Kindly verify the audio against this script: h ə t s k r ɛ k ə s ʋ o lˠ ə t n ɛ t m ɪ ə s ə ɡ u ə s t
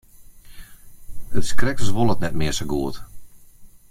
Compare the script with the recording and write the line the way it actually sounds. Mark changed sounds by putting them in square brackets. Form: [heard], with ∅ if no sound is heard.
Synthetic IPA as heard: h ə t s k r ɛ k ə s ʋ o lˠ ə t n ɛ t m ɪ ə s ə ɡ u ə [∅] t